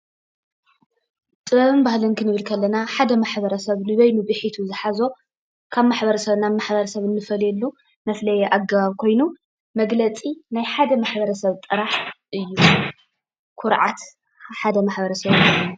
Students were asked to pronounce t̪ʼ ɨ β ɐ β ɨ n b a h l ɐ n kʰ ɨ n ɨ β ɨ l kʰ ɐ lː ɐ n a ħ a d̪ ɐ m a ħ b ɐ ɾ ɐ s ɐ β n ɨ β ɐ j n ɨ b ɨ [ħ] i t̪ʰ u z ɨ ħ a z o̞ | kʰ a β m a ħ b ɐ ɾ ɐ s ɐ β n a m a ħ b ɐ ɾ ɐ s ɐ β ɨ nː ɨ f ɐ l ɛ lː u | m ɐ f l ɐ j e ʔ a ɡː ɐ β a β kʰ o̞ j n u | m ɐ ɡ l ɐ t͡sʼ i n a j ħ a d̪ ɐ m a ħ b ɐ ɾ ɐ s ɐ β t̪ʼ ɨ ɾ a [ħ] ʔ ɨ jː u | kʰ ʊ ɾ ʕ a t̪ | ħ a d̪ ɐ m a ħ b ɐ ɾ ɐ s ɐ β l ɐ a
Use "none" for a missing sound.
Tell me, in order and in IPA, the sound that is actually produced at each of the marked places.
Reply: ħ, ħ

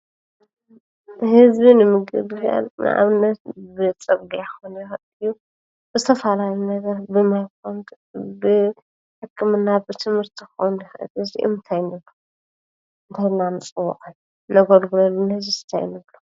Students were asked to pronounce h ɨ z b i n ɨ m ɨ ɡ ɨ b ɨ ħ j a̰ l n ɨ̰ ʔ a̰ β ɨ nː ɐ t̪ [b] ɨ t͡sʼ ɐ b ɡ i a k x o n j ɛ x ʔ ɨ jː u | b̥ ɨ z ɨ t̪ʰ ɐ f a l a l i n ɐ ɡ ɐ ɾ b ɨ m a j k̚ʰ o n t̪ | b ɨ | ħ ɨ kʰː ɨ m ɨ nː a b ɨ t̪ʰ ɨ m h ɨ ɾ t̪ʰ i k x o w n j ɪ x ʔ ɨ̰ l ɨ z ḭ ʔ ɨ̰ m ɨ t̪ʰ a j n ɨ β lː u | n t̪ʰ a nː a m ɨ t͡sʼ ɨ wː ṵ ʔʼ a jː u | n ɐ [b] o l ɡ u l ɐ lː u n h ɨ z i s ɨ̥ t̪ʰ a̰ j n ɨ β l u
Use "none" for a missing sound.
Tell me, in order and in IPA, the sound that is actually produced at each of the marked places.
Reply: b, ɡ

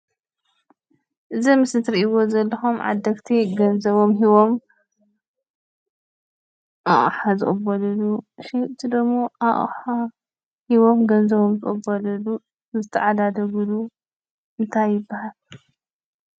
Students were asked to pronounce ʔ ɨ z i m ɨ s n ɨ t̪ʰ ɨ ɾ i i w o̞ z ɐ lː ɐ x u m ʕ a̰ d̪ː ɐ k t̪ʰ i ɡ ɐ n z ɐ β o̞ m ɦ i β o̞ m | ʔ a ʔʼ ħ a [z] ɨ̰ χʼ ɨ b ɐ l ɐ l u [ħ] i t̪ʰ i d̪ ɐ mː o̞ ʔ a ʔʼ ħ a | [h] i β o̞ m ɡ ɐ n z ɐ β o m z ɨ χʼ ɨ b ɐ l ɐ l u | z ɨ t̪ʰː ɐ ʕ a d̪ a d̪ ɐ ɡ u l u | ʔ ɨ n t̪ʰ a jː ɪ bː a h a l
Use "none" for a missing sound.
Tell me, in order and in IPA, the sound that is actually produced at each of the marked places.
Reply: z, ʃ, h

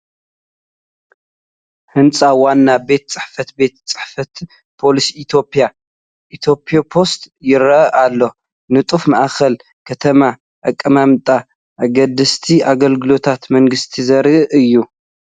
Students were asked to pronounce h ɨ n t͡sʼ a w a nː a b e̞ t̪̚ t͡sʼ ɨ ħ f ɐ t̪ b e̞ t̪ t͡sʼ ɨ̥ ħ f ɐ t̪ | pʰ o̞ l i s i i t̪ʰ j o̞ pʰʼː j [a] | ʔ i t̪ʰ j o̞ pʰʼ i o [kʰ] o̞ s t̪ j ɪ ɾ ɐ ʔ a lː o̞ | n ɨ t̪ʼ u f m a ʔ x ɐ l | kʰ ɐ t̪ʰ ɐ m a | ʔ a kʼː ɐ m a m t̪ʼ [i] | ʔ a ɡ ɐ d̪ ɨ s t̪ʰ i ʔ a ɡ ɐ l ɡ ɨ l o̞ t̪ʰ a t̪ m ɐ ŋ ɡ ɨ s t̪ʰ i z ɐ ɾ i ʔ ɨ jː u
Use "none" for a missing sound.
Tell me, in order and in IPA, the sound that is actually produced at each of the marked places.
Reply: a, pʰ, a

